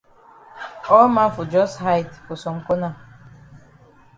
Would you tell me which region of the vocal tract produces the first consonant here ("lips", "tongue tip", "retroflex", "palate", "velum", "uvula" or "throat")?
lips